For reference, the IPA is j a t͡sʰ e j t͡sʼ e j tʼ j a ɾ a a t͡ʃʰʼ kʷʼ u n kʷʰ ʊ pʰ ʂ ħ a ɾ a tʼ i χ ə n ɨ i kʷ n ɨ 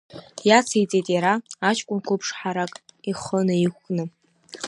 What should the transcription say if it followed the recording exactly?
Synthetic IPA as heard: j a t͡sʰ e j t͡sʼ e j tʼ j a ɾ a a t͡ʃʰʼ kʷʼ ʊ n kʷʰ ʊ pʰ ʂ ħ a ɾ a kʼ i χ ə n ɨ i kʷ n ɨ